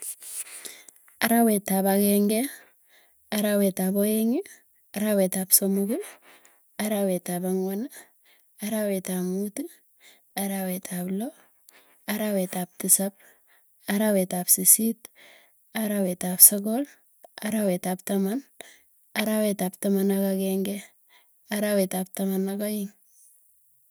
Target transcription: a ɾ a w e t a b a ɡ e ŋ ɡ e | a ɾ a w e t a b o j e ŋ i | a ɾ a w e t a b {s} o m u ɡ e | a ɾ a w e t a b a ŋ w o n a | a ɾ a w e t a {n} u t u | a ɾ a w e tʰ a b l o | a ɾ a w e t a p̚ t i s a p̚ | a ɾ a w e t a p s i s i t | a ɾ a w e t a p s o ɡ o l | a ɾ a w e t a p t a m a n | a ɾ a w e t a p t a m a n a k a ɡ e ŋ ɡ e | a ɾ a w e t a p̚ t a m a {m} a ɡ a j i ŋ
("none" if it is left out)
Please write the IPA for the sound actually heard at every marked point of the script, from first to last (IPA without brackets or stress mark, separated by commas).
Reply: s, m, n